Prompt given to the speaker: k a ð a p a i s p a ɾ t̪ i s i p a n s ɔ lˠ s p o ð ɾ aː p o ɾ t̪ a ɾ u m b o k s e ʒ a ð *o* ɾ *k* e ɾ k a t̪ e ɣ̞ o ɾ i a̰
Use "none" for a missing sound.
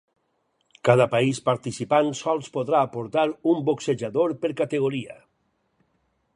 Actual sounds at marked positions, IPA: o, p

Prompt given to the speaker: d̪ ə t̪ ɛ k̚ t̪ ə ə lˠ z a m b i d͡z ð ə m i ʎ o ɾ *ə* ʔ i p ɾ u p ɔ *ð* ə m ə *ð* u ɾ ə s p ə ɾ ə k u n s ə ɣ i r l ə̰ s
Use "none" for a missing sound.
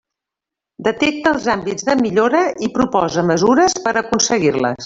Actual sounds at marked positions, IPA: ə, z, z

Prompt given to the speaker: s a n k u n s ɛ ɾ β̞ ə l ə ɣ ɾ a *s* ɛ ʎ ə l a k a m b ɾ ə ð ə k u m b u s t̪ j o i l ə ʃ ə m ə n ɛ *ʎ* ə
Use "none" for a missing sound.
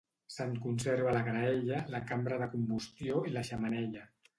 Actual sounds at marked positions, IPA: none, ʎ

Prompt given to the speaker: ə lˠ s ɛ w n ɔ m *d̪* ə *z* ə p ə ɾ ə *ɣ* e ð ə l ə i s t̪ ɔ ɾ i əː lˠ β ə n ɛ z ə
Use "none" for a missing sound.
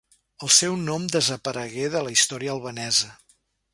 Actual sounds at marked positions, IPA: d̪, z, ɣ

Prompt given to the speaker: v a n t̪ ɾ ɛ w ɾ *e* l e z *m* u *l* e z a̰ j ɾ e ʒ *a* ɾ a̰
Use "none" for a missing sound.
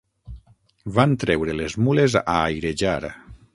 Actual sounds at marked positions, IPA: e, m, l, a

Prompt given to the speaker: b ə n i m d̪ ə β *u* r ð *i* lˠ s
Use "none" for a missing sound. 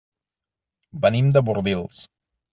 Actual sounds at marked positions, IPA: u, i

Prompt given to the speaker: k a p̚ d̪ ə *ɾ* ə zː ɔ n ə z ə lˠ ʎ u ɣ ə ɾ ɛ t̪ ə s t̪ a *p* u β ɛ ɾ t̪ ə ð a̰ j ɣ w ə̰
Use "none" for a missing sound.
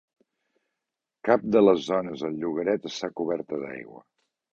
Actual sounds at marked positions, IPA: l, k

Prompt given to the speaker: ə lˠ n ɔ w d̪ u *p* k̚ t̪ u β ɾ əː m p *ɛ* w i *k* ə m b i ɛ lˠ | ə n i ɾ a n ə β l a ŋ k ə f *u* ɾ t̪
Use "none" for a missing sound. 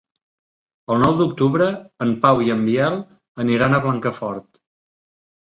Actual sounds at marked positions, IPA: none, a, none, ɔ

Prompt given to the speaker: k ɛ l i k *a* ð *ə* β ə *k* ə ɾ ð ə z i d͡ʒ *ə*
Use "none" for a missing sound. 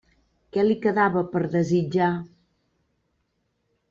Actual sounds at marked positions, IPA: ə, a, p, a

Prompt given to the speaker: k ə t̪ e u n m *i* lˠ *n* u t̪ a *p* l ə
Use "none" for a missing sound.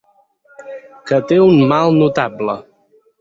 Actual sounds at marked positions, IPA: a, n, b

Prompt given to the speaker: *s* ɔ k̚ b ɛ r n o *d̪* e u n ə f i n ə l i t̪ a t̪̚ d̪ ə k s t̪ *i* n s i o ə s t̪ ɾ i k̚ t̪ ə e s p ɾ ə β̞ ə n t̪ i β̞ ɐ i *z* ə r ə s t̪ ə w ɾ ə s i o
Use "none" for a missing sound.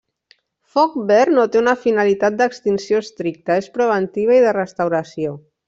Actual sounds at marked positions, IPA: f, t̪, i, ð

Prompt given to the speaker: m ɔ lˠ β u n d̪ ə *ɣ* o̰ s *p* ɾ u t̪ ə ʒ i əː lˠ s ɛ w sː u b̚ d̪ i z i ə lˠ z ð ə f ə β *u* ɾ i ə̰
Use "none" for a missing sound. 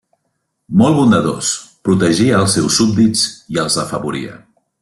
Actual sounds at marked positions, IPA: ð, p, u

